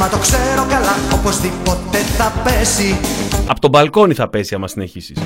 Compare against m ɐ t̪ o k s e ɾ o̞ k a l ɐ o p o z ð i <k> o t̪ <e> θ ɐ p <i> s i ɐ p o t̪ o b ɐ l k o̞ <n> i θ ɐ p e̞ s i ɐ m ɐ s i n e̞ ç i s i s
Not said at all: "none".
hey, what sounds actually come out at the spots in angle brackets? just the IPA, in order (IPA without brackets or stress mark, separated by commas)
p, e, e, n